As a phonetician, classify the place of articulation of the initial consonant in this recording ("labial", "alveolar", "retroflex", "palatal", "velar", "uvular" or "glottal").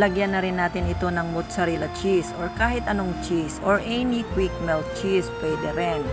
alveolar